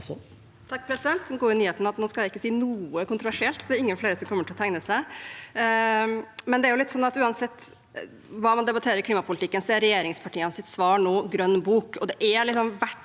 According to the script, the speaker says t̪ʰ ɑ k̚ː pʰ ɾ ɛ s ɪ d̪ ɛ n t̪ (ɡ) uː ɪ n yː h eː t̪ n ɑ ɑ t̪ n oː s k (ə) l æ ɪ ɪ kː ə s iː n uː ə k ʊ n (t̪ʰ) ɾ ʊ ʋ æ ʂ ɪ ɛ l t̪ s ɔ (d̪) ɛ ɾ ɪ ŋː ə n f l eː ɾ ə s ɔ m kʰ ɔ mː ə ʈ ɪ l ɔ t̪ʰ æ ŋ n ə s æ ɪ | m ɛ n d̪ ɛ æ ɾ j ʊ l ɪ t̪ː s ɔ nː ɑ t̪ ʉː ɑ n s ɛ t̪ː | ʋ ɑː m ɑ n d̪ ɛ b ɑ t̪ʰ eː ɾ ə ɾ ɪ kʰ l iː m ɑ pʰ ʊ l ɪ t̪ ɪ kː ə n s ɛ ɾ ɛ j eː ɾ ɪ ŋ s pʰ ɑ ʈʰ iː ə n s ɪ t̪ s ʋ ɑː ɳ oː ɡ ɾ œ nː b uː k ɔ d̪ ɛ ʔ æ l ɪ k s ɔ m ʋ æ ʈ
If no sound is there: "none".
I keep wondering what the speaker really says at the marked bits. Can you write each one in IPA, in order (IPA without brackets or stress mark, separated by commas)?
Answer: ɡ, ɑ, t̪, d̪